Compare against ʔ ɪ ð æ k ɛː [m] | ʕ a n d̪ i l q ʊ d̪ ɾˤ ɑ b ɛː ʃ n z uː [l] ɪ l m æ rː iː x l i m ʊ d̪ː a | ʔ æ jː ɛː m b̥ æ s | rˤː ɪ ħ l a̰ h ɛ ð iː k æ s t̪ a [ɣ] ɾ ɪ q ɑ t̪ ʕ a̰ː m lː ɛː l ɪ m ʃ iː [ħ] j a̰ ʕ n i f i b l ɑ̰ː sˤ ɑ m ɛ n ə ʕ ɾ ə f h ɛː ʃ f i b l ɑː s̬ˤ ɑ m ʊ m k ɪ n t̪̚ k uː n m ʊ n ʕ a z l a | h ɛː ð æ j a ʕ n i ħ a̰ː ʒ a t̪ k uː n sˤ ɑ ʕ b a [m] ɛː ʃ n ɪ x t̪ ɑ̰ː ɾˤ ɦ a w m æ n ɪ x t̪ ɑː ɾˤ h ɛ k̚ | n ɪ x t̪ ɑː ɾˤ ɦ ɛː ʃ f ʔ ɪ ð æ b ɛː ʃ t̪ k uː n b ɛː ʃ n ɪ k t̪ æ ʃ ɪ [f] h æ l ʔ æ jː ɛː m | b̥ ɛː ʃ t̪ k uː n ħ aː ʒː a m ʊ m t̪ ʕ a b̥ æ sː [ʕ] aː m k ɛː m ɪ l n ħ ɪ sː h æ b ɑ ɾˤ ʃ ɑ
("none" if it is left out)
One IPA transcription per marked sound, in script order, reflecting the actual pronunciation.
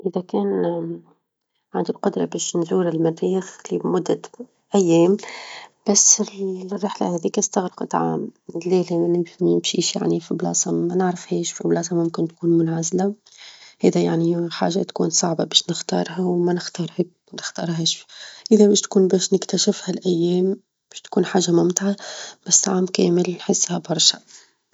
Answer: n, ɾ, ɣ, ʃ, b, f, ʕ

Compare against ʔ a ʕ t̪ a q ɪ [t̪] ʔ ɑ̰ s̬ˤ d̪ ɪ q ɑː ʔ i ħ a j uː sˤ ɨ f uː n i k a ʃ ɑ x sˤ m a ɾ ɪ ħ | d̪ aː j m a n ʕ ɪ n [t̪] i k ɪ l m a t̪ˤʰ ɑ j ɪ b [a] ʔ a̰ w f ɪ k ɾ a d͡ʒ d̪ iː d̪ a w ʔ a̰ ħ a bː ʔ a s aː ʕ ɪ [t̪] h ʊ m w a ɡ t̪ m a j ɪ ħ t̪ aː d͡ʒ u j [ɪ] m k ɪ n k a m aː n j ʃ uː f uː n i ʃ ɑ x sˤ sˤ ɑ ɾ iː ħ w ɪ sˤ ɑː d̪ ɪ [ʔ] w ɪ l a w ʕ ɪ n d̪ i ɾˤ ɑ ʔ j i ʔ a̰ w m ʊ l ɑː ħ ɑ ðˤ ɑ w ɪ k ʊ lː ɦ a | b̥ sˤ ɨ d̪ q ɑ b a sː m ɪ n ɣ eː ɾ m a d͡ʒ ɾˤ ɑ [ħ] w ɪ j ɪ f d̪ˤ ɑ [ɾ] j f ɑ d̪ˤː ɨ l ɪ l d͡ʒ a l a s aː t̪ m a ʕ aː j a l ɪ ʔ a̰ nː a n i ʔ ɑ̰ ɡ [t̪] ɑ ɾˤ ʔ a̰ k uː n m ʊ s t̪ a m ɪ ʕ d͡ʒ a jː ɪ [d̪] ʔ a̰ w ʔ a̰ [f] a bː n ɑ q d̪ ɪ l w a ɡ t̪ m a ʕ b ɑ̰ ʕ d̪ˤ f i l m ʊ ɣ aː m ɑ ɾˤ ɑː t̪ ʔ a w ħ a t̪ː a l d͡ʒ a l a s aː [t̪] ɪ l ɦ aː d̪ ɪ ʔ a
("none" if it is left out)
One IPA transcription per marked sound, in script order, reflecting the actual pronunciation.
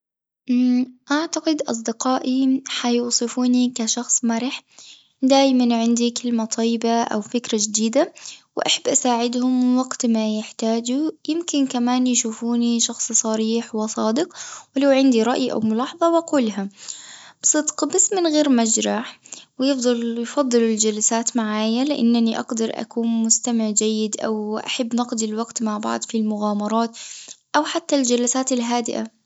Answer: d̪, d̪, a, d̪, ɪ, q, ħ, l, d̪, d̪, ħ, t̪

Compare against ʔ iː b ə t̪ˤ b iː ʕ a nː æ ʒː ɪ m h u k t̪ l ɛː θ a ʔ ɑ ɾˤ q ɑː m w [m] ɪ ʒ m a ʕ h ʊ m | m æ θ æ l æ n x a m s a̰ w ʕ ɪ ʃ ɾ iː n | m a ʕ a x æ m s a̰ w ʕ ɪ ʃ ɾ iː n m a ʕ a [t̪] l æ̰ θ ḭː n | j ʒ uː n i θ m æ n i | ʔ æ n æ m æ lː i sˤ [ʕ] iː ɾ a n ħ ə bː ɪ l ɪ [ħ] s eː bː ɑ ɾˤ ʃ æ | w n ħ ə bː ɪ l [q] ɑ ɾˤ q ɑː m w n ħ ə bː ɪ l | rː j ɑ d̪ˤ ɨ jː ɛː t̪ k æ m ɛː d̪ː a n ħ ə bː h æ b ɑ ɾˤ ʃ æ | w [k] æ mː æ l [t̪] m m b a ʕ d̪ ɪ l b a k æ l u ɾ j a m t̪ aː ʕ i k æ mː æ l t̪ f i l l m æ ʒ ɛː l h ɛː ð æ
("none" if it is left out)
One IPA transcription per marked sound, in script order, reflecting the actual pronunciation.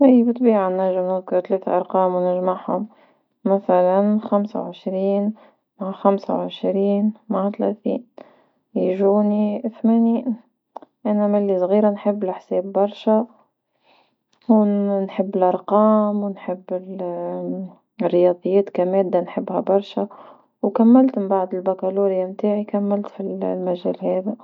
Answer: n, t̪, ɣ, ħ, ʔ, k, t̪

